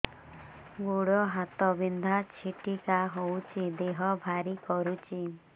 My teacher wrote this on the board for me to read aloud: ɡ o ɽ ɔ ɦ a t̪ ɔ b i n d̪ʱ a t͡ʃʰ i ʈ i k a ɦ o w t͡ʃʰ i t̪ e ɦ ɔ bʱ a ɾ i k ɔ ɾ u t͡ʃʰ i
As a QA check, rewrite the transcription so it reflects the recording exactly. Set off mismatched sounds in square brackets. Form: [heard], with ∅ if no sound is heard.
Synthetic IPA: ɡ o ɽ ɔ ɦ a t̪ ɔ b i n d̪ʱ a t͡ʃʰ i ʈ i k a ɦ o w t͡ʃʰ i [d̪] e ɦ ɔ bʱ a ɾ i k ɔ ɾ u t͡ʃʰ i

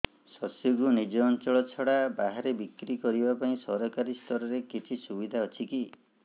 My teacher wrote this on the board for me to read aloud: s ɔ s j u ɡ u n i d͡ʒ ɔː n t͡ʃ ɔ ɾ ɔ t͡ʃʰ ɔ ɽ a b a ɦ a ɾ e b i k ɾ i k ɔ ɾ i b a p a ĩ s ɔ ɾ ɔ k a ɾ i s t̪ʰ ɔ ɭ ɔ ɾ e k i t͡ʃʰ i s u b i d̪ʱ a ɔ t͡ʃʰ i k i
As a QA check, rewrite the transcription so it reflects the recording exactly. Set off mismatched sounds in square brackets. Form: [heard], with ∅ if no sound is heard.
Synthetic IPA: s ɔ s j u ɡ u n i d͡ʒ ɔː n t͡ʃ ɔ [ɭ] ɔ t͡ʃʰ ɔ ɽ a b a ɦ a ɾ e b i k ɾ i k ɔ ɾ i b a p a ĩ s ɔ ɾ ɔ k a ɾ i s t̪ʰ ɔ [ɾ] ɔ ɾ e k i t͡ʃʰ i s u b i d̪ʱ a ɔ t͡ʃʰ i k i

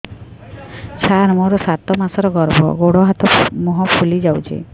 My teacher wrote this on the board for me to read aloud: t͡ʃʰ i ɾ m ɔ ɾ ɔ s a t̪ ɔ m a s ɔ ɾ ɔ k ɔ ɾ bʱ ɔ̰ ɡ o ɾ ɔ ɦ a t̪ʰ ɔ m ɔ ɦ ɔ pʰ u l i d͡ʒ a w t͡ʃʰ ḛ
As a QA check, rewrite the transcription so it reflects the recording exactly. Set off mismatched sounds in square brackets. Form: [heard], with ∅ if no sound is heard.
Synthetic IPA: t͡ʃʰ [a] ɾ m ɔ ɾ ɔ s a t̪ ɔ m a s ɔ ɾ ɔ [ɡ] ɔ ɾ bʱ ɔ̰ ɡ o [ɽ] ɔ ɦ a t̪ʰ ɔ m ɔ ɦ ɔ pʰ u l i d͡ʒ a w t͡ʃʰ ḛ

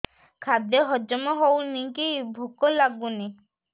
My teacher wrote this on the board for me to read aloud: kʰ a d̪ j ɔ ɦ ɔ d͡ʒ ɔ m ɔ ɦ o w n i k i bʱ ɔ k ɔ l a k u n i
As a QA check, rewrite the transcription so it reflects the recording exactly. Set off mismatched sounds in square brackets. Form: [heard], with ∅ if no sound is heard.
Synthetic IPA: kʰ a d̪ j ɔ ɦ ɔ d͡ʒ ɔ m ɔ ɦ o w n i k i bʱ [u] k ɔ l a [ɡ] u n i

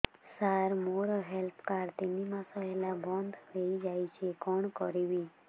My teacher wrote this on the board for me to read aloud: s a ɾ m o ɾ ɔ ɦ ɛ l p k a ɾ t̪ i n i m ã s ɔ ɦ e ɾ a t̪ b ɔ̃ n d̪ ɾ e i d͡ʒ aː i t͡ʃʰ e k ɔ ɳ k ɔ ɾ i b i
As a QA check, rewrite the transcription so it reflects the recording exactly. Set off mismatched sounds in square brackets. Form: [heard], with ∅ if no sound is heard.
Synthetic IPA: s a ɾ m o ɾ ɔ ɦ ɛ l p k a ɾ t̪ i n i m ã s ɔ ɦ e [l] a [∅] b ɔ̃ n d̪ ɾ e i d͡ʒ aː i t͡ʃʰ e k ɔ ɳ k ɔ ɾ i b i

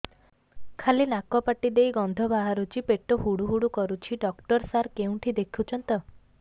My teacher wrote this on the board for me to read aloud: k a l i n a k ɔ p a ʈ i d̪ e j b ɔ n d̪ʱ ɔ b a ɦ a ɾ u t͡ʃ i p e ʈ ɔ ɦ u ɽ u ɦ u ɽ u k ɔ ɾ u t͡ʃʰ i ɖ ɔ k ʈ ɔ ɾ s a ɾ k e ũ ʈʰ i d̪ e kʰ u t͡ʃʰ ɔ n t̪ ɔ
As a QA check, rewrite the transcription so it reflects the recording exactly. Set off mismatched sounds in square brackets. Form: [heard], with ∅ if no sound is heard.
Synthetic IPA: [kʰ] a l i n a k ɔ p a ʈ i d̪ e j [ɡ] ɔ n d̪ʱ ɔ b a ɦ a ɾ u t͡ʃ i p e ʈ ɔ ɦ u ɽ u ɦ u ɽ u k ɔ ɾ u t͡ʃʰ i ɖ ɔ k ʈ ɔ ɾ s a ɾ k e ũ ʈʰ i d̪ e kʰ u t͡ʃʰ ɔ n t̪ ɔ

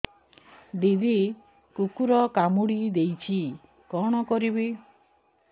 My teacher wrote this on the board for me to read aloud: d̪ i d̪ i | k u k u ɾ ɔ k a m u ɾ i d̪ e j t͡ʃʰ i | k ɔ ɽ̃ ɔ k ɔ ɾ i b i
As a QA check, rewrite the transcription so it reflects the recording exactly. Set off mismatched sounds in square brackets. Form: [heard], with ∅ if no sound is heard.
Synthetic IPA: d̪ i d̪ i | k u k u ɾ ɔ k a m u [ɽ] i d̪ e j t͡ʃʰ i | k ɔ ɽ̃ ɔ k ɔ ɾ i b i

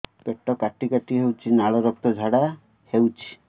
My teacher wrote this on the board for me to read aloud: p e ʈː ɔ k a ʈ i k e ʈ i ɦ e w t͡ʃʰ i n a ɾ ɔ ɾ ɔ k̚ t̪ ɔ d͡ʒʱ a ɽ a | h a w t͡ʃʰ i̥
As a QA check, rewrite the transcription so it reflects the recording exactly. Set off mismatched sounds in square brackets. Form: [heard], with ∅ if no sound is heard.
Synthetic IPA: p e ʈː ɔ k a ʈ i k [a] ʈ i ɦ e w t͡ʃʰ i n a [ɭ] ɔ ɾ ɔ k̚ t̪ ɔ d͡ʒʱ a ɽ a | h [e] w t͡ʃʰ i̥

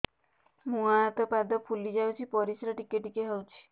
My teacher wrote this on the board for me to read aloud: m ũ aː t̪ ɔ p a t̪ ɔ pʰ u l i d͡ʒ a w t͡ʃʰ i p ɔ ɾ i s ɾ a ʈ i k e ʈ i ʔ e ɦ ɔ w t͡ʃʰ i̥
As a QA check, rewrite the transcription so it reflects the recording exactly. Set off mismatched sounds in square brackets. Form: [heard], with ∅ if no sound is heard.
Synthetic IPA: m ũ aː t̪ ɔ p a [d̪] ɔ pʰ u l i d͡ʒ a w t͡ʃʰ i p ɔ ɾ i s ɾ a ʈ i k e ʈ i [k] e ɦ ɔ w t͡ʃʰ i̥

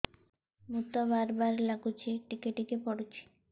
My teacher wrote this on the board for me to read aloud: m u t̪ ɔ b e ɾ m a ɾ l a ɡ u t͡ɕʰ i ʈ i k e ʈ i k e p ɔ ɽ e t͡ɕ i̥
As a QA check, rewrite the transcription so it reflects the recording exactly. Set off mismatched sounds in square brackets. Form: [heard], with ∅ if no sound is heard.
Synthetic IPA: m u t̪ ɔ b [a] ɾ [b] a ɾ l a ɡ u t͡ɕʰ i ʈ i k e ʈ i k e p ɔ ɽ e [t͡ɕʰ] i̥

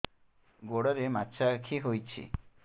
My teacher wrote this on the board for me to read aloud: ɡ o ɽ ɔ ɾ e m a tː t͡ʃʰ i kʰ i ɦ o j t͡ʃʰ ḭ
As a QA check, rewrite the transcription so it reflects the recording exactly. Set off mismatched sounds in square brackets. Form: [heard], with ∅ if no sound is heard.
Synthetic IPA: ɡ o ɽ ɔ ɾ e m a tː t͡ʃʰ [a] kʰ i ɦ o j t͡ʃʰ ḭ

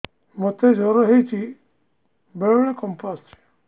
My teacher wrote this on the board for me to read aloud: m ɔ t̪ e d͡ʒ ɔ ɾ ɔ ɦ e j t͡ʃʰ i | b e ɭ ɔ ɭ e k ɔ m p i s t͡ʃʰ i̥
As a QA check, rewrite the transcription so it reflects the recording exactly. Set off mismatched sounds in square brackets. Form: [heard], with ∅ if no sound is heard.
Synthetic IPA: m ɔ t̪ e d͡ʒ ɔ ɾ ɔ ɦ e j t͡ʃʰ i | b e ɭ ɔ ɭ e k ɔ m p [a] s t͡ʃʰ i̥

